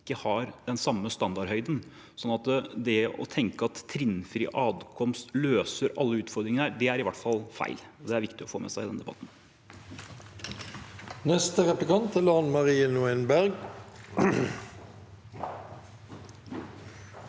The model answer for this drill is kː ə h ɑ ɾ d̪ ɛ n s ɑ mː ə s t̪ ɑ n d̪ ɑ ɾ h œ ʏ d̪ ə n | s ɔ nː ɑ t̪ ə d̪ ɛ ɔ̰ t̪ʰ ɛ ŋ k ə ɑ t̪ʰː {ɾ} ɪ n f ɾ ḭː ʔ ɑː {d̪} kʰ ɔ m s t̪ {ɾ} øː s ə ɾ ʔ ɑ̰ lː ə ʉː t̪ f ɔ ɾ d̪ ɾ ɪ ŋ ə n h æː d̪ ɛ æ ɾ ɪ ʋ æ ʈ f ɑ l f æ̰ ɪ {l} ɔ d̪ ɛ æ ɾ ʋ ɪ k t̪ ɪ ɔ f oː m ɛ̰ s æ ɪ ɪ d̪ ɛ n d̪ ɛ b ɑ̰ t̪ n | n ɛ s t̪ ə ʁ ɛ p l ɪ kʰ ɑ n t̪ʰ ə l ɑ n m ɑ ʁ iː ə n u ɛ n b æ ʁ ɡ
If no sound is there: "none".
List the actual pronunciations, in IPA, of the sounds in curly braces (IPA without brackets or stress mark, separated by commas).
ɾ, d̪, l, l